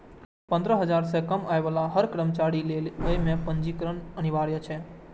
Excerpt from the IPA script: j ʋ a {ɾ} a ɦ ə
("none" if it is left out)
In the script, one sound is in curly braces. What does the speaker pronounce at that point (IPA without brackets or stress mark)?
l